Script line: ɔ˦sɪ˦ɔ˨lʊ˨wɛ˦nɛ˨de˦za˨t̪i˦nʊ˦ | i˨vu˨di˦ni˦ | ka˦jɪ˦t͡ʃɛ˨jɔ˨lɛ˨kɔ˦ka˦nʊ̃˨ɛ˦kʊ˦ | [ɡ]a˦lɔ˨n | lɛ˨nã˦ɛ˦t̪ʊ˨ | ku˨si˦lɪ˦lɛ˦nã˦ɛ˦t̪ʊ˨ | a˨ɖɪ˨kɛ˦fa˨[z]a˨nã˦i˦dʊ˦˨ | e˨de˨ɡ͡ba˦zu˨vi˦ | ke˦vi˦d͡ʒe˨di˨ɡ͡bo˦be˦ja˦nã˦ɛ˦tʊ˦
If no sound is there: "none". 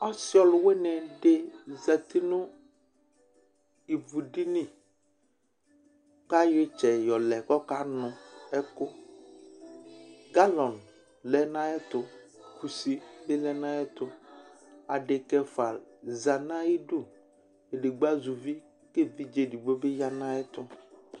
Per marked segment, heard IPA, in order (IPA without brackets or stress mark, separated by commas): ɡ, z